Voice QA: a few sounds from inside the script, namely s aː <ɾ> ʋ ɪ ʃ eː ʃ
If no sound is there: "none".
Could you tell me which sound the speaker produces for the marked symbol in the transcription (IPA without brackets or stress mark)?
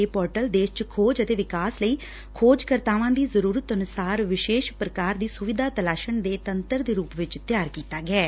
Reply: ɾ